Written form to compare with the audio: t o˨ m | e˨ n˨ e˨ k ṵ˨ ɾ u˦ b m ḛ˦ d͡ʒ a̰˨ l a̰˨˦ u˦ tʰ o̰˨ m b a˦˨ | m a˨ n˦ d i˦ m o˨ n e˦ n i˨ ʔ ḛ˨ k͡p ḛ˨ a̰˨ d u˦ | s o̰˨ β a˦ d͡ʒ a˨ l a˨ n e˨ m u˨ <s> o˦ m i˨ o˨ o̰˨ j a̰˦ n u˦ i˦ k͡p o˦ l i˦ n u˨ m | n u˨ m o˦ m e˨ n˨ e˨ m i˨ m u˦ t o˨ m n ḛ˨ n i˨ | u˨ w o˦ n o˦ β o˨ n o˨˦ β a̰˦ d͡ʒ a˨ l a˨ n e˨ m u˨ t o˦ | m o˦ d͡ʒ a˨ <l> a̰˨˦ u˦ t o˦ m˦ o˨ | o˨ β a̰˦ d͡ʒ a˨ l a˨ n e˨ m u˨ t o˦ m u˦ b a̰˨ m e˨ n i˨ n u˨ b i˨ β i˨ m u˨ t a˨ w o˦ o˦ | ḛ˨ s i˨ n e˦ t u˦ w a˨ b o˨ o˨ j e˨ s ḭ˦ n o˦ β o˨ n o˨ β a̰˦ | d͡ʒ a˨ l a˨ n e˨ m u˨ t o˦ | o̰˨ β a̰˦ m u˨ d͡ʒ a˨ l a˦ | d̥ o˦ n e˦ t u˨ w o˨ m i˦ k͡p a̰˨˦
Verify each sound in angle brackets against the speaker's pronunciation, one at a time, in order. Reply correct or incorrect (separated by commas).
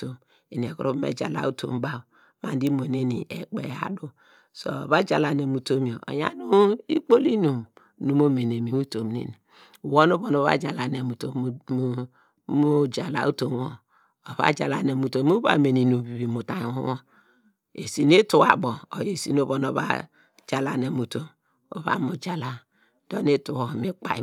incorrect, correct